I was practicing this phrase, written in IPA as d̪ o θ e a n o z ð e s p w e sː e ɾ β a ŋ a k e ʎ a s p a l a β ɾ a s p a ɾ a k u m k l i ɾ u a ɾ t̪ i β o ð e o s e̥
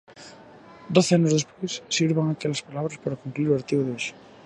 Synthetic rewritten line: d̪ o θ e a n o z ð e s p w e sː i ɾ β a ŋ a k e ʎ a s p a l a β ɾ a s p a ɾ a k u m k l i ɾ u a ɾ t̪ i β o ð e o ʃ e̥